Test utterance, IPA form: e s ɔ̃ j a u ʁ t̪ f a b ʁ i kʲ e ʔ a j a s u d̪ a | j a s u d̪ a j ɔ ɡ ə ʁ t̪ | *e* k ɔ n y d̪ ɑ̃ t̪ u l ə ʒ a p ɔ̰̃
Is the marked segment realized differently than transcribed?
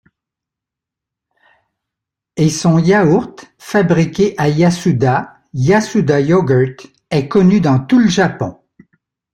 yes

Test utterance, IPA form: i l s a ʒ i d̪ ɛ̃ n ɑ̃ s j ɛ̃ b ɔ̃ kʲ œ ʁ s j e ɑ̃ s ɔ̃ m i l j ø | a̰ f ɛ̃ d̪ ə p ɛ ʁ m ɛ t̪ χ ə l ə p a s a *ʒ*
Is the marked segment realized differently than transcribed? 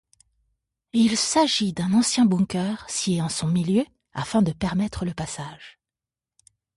no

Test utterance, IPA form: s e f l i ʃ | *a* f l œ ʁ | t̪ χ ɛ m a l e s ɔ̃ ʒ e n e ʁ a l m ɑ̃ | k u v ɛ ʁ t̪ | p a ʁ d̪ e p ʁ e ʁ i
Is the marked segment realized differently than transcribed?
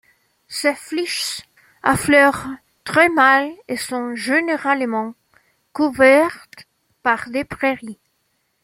no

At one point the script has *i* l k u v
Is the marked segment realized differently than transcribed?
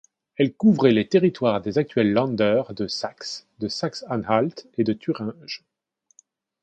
yes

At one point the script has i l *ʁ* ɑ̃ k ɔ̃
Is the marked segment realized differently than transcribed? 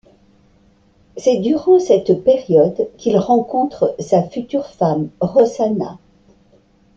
no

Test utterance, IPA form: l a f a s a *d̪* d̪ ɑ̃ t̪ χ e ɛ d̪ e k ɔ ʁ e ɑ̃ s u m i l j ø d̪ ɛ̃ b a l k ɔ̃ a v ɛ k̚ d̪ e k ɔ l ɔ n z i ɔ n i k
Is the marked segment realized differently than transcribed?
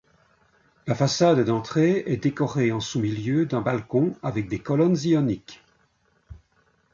no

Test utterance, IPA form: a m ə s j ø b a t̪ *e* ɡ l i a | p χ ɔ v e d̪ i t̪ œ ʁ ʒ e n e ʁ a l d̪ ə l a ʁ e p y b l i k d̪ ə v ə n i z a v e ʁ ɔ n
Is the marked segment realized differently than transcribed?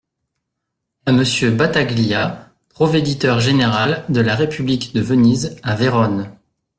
yes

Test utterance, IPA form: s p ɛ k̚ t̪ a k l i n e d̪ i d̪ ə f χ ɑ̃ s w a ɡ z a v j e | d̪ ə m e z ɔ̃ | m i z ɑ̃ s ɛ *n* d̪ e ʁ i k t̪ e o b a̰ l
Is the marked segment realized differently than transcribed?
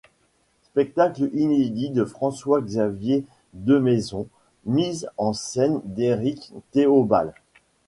no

